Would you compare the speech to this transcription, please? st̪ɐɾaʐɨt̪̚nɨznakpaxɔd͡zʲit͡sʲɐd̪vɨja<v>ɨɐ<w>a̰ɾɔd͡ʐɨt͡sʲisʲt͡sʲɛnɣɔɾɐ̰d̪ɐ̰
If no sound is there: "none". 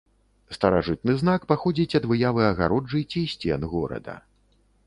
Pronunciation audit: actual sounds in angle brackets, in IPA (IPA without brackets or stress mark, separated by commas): v, ɣ